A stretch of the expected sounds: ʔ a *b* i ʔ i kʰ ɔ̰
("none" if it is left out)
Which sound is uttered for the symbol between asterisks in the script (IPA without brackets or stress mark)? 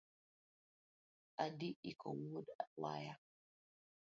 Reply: d